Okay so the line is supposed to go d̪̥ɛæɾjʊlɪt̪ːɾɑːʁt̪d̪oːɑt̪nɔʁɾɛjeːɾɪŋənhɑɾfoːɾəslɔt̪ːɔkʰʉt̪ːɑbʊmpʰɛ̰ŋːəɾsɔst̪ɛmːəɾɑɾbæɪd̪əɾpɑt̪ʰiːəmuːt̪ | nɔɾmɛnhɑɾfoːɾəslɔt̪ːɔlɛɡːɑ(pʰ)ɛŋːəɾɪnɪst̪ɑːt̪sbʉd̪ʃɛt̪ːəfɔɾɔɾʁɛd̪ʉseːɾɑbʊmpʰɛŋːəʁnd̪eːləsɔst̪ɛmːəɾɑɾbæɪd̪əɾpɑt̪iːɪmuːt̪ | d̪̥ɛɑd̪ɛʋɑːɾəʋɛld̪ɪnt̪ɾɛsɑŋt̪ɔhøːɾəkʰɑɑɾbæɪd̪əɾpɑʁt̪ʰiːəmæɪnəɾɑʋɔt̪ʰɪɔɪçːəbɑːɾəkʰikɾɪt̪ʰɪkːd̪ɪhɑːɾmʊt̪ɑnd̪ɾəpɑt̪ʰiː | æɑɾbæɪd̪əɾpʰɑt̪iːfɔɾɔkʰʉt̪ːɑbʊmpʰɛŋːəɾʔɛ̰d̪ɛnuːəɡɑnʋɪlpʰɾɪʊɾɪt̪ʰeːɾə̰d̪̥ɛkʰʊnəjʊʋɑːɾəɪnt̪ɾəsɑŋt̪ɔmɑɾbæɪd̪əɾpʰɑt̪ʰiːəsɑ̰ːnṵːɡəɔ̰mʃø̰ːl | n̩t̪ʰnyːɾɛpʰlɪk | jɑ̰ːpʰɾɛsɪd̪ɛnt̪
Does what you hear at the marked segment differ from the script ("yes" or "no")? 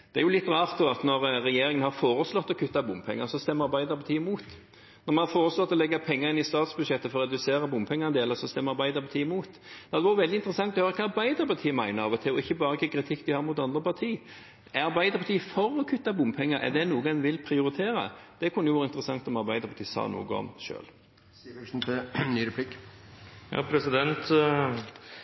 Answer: no